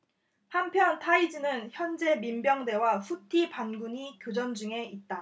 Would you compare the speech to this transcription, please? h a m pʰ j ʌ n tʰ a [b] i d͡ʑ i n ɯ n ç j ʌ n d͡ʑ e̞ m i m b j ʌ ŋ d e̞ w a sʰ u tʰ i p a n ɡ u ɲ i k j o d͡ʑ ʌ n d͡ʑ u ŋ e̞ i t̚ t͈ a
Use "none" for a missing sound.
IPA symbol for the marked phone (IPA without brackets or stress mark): none